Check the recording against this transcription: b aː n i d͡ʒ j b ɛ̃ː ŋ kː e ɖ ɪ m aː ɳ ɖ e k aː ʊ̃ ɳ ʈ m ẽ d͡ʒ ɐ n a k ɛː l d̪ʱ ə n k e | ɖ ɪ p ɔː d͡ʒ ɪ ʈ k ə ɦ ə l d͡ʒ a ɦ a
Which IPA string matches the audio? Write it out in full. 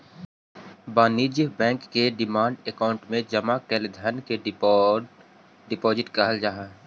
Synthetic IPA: b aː n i d͡ʒ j b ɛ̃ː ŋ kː e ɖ ɪ m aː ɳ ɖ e k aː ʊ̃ ɳ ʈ m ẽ d͡ʒ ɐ m a k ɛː l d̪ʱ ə n k e | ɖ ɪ p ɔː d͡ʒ ɪ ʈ k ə ɦ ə l d͡ʒ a ɦ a